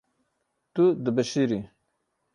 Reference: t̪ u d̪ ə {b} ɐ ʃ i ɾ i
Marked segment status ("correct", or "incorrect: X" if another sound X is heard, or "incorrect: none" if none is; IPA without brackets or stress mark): correct